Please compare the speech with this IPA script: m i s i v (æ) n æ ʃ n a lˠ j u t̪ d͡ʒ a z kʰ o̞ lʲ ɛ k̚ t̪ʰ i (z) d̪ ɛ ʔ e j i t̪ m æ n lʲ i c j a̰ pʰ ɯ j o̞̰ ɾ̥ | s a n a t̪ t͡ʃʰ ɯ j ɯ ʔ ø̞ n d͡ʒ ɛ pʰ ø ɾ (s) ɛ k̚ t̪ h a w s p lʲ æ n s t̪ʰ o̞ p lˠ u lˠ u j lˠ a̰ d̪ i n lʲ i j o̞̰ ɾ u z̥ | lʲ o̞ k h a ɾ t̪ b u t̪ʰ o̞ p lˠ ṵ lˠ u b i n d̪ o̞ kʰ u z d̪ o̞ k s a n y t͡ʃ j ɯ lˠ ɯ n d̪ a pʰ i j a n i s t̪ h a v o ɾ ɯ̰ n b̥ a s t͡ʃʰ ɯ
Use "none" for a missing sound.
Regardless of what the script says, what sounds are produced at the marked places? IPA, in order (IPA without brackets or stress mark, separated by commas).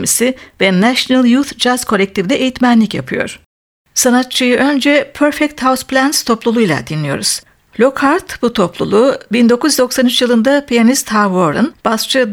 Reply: ɛ, v, f